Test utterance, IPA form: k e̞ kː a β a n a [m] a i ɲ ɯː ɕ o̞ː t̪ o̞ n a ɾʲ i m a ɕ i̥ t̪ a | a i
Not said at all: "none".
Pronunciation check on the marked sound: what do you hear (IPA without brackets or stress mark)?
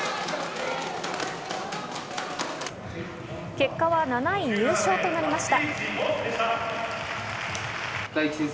n